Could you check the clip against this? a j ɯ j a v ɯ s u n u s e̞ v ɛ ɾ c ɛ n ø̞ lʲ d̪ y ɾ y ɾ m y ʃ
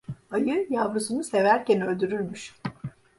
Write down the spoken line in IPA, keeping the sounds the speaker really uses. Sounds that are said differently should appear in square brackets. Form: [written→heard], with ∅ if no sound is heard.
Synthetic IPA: a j ɯ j a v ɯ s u n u s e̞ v [ɛ→æ] ɾ c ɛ n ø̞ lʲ d̪ y ɾ y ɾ m y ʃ